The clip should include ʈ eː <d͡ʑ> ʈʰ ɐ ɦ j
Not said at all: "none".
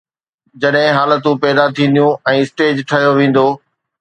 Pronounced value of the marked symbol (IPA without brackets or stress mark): d͡ʑ